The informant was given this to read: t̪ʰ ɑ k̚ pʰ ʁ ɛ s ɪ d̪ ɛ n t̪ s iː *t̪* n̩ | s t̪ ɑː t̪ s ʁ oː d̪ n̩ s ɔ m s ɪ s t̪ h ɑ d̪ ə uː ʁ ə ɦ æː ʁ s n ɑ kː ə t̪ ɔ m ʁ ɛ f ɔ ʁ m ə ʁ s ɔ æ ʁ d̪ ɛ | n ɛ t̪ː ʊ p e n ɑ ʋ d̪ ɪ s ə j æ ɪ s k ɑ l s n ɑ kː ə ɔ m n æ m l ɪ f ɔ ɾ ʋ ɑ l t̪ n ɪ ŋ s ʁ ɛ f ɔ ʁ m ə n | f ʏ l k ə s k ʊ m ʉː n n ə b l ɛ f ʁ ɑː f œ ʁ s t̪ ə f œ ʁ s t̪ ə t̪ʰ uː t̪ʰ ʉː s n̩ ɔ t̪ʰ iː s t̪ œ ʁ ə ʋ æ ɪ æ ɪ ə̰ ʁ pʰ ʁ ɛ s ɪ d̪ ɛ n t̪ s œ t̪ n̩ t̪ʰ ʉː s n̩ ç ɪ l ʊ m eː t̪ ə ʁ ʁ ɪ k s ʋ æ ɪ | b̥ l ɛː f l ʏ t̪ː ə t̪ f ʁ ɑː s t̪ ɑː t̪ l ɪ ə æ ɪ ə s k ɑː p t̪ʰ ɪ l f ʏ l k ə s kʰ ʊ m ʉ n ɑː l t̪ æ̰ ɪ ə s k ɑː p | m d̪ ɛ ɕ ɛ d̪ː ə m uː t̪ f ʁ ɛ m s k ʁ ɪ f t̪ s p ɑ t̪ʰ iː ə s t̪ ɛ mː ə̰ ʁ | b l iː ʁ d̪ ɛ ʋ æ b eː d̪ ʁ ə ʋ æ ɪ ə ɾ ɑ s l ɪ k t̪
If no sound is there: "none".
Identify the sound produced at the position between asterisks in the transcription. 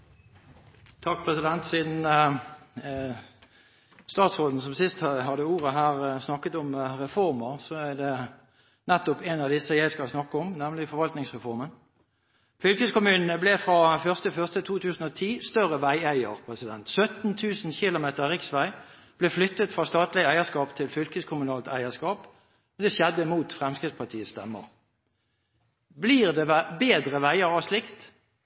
d̪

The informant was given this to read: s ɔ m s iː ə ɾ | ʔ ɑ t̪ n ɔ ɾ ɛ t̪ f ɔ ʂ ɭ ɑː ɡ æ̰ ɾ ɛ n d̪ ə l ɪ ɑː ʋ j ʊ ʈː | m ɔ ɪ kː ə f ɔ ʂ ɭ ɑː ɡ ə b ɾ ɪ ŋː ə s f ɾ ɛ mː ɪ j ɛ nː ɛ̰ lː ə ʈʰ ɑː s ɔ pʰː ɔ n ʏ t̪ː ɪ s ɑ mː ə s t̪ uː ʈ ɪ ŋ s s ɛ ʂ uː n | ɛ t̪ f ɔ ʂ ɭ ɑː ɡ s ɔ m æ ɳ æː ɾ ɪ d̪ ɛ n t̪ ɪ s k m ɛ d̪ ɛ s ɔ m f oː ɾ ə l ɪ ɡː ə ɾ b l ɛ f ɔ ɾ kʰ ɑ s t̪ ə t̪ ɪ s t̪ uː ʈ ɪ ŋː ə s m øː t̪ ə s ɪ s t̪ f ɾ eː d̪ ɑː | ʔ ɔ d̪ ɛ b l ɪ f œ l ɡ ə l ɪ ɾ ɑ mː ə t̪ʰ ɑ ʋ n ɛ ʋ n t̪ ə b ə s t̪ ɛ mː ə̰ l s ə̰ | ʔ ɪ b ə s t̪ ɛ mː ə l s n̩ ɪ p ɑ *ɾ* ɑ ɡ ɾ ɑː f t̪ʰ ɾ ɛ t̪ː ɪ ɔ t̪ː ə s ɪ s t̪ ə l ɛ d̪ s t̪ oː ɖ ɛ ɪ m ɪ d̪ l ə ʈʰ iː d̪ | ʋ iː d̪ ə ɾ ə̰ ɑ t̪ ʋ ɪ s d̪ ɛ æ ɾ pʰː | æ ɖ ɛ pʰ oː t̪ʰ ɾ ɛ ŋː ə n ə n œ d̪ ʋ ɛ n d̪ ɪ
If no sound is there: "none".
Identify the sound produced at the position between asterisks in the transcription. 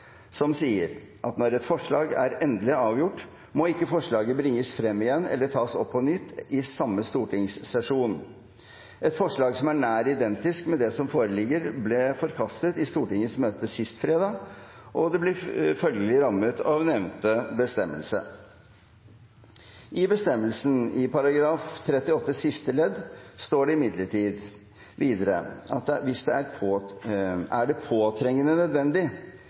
ɾ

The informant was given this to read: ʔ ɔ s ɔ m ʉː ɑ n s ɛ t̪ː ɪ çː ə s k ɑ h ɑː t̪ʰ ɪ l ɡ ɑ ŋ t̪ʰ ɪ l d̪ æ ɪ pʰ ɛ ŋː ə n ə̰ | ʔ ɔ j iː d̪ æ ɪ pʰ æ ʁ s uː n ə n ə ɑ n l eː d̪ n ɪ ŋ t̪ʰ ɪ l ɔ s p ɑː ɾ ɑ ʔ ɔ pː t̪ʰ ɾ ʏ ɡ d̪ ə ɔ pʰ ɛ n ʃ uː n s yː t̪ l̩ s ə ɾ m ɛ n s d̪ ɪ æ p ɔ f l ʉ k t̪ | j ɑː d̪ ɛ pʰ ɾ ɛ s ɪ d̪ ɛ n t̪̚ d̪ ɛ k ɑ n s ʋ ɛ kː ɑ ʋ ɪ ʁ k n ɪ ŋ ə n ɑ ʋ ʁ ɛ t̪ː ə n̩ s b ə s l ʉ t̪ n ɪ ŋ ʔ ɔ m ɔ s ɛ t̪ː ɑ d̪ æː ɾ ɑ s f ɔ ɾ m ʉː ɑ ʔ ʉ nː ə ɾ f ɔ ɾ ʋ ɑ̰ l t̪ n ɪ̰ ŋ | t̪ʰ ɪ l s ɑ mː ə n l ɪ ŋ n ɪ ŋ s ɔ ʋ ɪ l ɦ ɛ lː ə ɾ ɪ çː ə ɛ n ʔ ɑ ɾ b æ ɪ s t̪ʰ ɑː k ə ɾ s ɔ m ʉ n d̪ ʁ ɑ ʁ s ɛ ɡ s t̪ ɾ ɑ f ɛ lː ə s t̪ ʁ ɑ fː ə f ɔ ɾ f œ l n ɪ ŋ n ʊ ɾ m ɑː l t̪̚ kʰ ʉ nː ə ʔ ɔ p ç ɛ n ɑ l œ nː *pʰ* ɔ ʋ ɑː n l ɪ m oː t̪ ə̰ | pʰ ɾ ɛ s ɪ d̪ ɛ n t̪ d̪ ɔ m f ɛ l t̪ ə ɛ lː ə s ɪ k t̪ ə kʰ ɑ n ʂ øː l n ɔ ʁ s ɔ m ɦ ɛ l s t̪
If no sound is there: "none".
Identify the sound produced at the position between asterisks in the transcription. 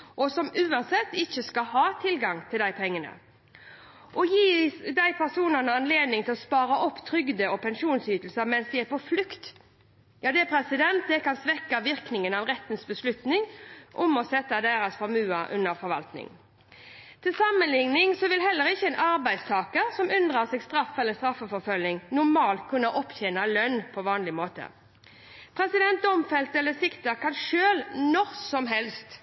pʰ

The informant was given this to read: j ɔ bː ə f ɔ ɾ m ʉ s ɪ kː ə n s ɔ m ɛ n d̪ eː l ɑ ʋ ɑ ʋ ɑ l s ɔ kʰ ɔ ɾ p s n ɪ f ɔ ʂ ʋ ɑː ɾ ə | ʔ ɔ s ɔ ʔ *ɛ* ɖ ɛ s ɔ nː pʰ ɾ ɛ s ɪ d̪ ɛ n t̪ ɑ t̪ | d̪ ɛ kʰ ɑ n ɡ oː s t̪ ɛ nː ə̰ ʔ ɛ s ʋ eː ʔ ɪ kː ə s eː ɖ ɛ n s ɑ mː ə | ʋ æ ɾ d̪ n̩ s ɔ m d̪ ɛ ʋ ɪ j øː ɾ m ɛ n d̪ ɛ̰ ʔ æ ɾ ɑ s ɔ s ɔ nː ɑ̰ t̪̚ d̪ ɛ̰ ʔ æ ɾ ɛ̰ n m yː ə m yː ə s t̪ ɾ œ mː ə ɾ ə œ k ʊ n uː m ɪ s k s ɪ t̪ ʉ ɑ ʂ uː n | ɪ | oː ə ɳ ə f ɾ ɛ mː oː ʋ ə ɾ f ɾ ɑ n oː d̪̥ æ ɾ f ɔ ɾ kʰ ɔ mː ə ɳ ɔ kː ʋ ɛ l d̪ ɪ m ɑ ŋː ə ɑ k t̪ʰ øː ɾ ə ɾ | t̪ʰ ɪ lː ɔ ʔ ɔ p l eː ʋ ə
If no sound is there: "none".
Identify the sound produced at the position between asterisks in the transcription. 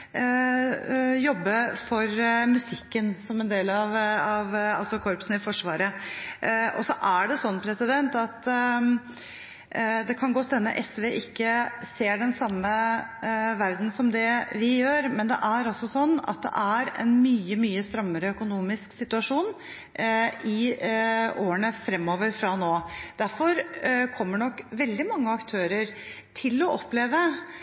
æ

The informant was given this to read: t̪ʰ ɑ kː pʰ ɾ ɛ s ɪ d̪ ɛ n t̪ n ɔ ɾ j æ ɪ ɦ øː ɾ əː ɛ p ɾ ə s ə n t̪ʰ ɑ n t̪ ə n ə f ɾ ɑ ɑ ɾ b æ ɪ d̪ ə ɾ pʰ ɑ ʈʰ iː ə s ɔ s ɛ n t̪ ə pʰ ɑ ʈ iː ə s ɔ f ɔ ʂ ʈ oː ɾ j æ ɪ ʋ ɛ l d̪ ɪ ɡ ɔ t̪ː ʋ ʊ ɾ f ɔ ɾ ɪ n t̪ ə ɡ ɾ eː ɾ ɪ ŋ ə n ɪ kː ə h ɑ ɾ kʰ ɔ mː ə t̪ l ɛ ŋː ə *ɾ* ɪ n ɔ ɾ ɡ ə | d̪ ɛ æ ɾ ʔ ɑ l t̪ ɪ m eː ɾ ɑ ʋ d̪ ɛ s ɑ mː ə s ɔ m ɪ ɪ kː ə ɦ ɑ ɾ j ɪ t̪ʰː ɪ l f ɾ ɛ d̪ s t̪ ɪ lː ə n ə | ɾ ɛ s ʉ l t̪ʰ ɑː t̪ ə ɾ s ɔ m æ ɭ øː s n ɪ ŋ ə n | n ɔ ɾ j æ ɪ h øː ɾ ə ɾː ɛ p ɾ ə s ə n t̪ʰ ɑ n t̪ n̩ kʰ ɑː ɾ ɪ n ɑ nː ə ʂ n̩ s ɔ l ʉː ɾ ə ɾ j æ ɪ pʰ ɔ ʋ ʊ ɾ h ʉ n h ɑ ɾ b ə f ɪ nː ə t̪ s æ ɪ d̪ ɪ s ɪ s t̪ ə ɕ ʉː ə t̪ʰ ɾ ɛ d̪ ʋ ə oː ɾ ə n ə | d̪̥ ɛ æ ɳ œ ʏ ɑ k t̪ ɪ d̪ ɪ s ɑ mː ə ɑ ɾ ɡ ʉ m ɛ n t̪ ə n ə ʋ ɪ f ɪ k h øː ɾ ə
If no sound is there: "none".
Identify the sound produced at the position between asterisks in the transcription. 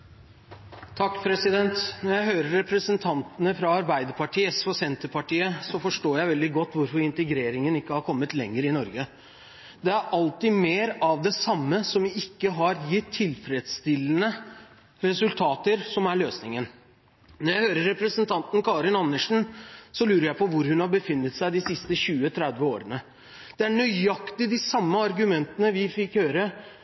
ɾ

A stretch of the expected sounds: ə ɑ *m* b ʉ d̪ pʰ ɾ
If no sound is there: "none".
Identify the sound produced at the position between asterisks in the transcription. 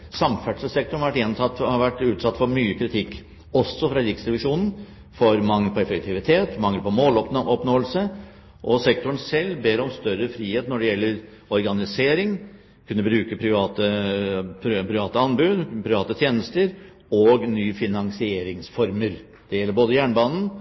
n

